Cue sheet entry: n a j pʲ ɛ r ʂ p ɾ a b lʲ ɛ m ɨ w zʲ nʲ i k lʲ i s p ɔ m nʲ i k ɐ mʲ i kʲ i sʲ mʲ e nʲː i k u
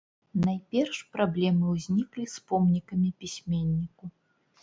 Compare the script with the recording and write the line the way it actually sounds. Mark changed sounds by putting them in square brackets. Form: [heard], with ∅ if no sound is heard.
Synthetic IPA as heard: n a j pʲ ɛ r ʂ p ɾ a b lʲ ɛ m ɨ w zʲ nʲ i k lʲ i s p ɔ m nʲ i k ɐ mʲ i [pʲ] i sʲ mʲ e nʲː i k u